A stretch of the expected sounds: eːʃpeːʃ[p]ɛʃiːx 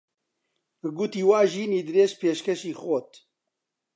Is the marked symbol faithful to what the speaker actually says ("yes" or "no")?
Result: no